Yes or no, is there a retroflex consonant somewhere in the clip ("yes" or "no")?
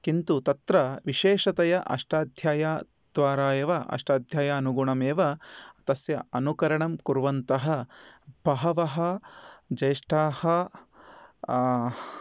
yes